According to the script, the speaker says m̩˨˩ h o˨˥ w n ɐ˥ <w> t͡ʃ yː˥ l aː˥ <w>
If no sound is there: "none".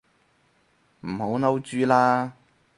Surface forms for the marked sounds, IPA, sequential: w, none

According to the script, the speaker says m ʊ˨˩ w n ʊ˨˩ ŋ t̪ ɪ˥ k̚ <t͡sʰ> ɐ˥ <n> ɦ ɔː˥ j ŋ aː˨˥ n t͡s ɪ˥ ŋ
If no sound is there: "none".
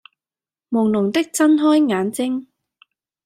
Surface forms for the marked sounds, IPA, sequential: t͡s, n

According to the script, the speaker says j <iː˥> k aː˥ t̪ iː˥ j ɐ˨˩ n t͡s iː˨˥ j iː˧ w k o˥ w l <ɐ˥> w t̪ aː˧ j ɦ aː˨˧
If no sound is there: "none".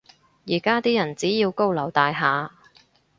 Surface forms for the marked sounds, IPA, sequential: iː˨˩, ɐ˨˩

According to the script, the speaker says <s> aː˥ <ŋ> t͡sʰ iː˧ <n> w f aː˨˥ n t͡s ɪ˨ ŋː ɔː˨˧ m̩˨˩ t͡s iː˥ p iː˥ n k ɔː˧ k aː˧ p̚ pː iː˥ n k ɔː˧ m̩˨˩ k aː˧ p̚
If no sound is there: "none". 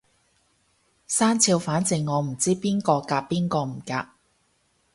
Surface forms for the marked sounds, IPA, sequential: s, n, none

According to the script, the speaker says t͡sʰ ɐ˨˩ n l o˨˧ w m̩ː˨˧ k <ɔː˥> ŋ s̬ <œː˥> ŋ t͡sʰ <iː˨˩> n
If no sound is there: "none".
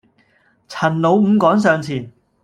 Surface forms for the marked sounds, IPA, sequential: ɔː˨˥, œː˨, iː˨˩

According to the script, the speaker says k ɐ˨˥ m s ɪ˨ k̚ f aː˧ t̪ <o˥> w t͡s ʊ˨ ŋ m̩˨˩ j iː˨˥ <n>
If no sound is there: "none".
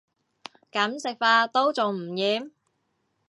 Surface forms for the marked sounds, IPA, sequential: o˥, m

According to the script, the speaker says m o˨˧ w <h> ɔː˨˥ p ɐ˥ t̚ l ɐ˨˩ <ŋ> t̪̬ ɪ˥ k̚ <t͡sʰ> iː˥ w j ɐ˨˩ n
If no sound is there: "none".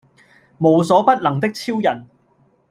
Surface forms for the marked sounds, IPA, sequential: s, ŋ, t͡sʰ

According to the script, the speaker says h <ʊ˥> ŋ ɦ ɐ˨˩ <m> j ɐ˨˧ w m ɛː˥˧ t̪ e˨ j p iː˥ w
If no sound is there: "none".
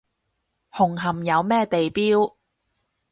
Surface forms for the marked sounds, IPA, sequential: ʊ˨˩, m

